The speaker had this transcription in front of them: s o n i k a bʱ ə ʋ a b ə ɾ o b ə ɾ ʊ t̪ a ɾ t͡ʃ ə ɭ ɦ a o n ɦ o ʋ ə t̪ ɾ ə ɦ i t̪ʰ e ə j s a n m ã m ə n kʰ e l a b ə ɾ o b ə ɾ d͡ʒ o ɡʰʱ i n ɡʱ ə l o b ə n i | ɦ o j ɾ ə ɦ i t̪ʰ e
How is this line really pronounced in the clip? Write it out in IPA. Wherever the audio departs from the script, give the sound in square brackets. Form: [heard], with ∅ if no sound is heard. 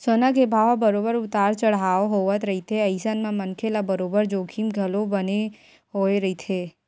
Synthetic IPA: s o n [a] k [e] bʱ [a] ʋ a b ə ɾ o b ə ɾ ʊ t̪ a ɾ t͡ʃ ə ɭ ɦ a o [∅] ɦ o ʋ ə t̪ ɾ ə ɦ i t̪ʰ e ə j s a n m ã m ə n kʰ e l a b ə ɾ o b ə ɾ d͡ʒ o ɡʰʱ i [m] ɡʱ ə l o b ə n [e] | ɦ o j ɾ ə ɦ i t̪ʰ e